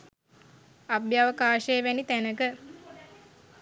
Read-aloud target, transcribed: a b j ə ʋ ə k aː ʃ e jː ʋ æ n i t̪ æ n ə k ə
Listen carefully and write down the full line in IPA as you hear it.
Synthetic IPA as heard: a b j a ʋ ə k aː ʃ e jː ʋ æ n i t̪ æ n ə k ə